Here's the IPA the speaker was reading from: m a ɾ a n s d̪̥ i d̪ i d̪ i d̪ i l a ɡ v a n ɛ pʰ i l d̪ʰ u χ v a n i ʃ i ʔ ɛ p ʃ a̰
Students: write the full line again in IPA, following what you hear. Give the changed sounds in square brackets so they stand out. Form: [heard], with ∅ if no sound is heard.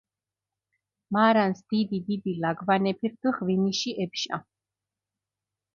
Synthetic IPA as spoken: m a ɾ a n s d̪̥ i d̪ i d̪ i d̪ i l a ɡ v a n ɛ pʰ i [ɾ] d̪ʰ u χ v [i] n i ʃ i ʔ ɛ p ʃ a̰